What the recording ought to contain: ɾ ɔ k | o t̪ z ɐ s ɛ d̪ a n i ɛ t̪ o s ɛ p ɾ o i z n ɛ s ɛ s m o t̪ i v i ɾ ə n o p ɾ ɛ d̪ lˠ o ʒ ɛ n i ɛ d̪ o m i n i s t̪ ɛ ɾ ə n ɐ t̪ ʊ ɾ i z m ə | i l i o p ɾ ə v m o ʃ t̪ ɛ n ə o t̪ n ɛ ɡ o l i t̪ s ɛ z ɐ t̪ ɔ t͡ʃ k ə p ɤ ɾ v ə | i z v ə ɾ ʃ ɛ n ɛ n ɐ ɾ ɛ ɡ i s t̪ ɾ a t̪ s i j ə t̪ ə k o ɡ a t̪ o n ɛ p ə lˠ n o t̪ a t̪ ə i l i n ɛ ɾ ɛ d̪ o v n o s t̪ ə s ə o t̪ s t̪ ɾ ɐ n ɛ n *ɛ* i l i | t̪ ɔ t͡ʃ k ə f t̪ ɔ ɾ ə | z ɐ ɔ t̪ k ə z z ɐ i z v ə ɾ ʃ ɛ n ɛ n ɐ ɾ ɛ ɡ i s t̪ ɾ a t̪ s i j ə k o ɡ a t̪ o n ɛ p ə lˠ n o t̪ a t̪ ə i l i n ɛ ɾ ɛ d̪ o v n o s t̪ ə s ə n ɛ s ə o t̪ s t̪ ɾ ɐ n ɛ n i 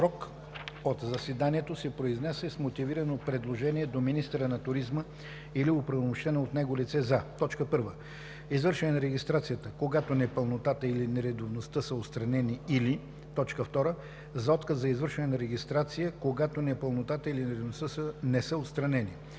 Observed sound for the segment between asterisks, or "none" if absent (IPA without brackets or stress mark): i